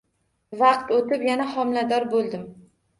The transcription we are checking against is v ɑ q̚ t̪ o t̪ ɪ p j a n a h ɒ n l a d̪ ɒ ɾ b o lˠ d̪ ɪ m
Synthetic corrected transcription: v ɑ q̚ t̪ o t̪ ɪ p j a n a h ɒ m l a d̪ ɒ ɾ b o lˠ d̪ ɪ m